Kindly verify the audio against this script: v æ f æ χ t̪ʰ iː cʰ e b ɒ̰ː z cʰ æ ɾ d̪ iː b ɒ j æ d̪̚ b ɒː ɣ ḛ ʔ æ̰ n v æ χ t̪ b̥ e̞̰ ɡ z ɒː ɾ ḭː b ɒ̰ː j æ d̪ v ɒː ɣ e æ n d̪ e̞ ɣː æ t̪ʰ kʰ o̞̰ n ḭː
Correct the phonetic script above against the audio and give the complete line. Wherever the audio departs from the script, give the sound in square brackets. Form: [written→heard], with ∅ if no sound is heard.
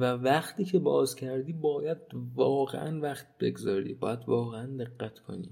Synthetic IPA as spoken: v æ [f→v] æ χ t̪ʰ iː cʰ e b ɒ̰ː z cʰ æ ɾ d̪ iː b [ɒ→ɒː] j æ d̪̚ [b→v] ɒː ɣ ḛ ʔ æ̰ n v æ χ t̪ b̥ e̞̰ ɡ z ɒː ɾ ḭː b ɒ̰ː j æ d̪ v ɒː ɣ e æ n d̪ e̞ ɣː æ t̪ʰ kʰ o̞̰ n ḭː